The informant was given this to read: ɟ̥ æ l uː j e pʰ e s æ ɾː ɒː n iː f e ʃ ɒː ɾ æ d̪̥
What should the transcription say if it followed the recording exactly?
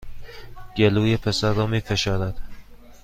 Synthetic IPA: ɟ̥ e l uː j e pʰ e s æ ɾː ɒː m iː f e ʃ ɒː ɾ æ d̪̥